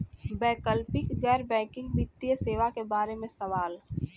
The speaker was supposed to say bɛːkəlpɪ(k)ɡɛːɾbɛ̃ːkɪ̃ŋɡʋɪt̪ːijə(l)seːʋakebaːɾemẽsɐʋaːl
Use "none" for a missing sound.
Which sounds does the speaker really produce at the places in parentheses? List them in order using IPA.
k, none

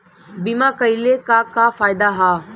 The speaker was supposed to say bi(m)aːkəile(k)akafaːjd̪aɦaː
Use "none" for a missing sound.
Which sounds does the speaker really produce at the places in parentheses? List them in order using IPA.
m, k

